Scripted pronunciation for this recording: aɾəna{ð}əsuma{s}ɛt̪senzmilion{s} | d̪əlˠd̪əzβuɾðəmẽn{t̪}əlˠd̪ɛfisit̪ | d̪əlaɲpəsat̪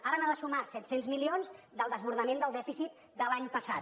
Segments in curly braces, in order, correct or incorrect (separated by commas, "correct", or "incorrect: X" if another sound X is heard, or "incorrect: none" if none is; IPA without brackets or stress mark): correct, correct, incorrect: z, incorrect: d̪